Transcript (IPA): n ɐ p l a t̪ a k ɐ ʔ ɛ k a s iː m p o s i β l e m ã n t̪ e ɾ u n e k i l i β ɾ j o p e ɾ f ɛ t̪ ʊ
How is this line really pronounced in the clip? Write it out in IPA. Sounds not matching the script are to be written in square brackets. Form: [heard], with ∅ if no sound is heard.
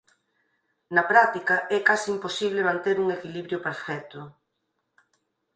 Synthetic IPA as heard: n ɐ p [ɾ] a t̪ [i] k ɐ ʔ ɛ k a s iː m p o s i β l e m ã n t̪ e ɾ u [ŋ] e k i l i β ɾ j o p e ɾ f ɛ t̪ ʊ